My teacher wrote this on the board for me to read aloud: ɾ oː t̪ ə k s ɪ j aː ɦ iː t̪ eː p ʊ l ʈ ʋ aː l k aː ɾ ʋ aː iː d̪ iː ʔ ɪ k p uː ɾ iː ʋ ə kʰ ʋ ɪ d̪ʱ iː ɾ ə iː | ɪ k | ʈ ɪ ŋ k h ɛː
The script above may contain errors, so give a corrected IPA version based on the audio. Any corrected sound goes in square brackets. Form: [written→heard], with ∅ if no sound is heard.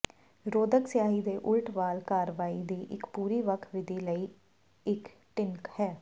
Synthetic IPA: ɾ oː [t̪→d̪] ə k s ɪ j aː ɦ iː [t̪→d̪] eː [p→ʔ] ʊ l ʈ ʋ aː l k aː ɾ ʋ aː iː d̪ iː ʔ ɪ k p uː ɾ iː ʋ ə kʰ ʋ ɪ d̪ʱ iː [ɾ→l] ə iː | ɪ k | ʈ ɪ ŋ k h ɛː

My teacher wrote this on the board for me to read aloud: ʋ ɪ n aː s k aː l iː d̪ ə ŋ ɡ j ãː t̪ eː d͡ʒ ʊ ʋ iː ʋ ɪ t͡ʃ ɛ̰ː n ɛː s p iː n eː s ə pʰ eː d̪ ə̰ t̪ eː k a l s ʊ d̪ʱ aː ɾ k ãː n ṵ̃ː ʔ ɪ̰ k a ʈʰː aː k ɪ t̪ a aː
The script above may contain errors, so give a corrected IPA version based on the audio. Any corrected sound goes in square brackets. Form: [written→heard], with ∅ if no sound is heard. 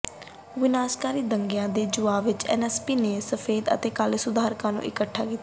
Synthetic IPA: ʋ ɪ n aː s k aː [l→ɾ] iː d̪ ə ŋ ɡ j ãː [t̪→d̪] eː d͡ʒ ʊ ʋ [iː→aː] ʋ ɪ t͡ʃ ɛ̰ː n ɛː s p iː n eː s ə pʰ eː d̪ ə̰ t̪ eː k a l s ʊ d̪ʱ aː ɾ k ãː n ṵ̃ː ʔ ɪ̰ k [a→ə] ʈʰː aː k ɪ t̪ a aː

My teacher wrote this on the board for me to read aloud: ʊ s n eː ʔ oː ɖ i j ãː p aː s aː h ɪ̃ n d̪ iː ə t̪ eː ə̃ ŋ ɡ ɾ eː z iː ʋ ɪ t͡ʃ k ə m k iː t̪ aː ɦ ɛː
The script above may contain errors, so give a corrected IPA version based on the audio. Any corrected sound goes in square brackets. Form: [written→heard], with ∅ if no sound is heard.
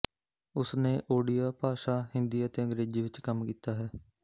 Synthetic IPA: ʊ s n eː ʔ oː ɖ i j [ãː→aː] p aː [s→ʃ] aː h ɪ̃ n d̪ iː ə t̪ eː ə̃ ŋ ɡ ɾ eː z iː ʋ ɪ t͡ʃ k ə m k iː t̪ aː ɦ ɛː

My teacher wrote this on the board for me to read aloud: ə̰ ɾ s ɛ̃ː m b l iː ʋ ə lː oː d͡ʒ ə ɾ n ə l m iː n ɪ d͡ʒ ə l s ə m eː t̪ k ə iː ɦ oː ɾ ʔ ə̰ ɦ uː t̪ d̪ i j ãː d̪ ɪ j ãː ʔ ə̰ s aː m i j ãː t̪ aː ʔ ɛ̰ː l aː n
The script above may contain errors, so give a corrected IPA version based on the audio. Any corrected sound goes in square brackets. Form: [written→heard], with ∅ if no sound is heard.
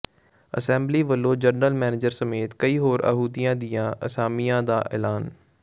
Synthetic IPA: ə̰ [ɾ→∅] s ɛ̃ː m b l iː ʋ ə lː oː d͡ʒ ə ɾ n ə l m [iː→ɛː] n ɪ d͡ʒ ə [l→ɾ] s ə m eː t̪ k ə iː ɦ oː ɾ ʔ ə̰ ɦ uː [t̪→∅] d̪ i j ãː d̪ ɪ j ãː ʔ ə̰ s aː m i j ãː [t̪→d̪] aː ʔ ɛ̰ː l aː n

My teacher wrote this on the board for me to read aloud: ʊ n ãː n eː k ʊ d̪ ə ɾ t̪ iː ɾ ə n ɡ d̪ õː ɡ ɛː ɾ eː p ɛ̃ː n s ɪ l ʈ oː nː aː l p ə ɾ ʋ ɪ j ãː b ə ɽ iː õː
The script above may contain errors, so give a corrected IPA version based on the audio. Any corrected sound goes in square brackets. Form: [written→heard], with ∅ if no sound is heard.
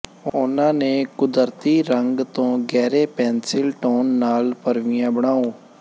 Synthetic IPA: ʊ n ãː n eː k ʊ d̪ ə ɾ t̪ iː ɾ ə [n→ŋ] ɡ [d̪→t̪] õː ɡ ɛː ɾ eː p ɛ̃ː n s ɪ l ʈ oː nː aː l p ə ɾ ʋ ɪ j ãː b ə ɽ [iː→aː] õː

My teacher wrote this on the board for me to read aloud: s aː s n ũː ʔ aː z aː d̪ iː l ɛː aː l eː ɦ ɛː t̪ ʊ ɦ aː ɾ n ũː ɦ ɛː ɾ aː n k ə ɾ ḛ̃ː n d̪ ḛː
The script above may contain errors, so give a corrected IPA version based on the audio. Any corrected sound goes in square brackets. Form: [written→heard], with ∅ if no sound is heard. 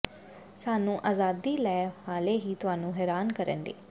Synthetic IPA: s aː [s→∅] n ũː ʔ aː z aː d̪ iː l ɛː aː l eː ɦ [ɛː→iː] t̪ ʊ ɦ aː [ɾ→∅] n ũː ɦ ɛː ɾ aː n k ə ɾ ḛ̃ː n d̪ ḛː

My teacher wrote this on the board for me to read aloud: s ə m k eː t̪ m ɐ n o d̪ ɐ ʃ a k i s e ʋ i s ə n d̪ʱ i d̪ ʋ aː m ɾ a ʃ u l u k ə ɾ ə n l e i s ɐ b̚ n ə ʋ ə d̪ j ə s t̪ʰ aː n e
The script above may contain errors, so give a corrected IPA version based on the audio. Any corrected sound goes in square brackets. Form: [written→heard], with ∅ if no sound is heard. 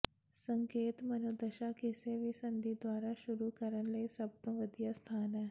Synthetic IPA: s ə [m→ŋ] k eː t̪ m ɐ n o d̪ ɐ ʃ a k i s e ʋ i s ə n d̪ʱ i d̪ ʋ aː [m→∅] ɾ a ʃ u [l→ɾ] u k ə ɾ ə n l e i s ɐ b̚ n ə ʋ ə d̪ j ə s t̪ʰ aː n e

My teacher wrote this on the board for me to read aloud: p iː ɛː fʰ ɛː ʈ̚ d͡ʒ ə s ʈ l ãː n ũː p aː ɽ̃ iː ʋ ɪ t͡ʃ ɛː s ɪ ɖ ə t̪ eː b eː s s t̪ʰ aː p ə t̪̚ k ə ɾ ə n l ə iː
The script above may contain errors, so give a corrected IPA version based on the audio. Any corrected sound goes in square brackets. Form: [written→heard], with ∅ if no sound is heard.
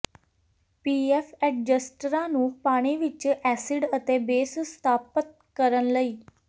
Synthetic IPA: p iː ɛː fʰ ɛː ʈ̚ d͡ʒ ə s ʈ [l→ɾ] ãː n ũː p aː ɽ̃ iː ʋ ɪ t͡ʃ ɛː s ɪ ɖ ə t̪ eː b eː s s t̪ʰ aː p ə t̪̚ k ə ɾ ə n l ə iː

